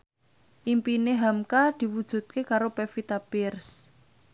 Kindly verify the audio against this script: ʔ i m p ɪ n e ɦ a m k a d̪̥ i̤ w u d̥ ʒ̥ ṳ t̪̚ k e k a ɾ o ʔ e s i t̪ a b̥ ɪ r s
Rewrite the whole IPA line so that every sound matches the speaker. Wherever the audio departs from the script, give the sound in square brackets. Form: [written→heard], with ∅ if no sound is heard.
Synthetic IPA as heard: ʔ i m p [ɪ→i] n e ɦ a m k a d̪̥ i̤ w u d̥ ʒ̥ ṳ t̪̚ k e k a ɾ o [ʔ→p] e [s→f] i t̪ a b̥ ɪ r s